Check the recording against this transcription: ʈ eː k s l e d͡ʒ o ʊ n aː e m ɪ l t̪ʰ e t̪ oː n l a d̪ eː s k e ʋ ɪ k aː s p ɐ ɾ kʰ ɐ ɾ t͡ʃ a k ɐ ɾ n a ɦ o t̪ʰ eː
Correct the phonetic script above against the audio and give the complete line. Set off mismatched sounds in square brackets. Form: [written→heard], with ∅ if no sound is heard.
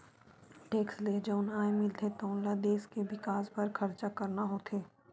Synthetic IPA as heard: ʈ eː k s l e d͡ʒ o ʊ n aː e m ɪ l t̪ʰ e t̪ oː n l a d̪ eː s k e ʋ ɪ k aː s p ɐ ɾ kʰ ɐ ɾ t͡ʃ a k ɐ ɾ n a ɦ o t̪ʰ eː